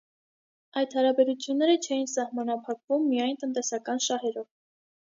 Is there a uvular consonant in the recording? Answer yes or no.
no